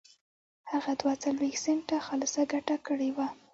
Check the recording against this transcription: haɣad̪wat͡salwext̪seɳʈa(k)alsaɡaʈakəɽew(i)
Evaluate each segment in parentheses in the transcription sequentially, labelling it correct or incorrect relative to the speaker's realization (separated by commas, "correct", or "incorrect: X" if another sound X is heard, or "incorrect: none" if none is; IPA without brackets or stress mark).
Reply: incorrect: x, incorrect: a